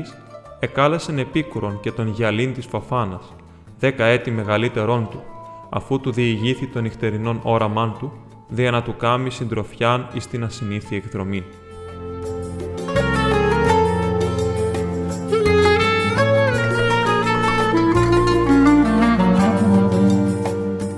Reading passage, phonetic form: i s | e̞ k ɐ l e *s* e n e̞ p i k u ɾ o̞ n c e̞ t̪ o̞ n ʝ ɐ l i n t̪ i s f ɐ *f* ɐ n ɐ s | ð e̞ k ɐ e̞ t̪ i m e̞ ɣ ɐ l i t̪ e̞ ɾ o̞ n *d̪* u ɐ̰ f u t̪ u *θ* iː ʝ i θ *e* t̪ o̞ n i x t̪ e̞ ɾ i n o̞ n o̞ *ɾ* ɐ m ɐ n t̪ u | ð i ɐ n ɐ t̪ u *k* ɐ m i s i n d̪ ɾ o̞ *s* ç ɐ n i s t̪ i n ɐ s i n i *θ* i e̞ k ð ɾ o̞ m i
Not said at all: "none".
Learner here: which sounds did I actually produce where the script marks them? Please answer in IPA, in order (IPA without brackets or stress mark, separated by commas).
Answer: s, f, t̪, ð, i, ɾ, k, f, θ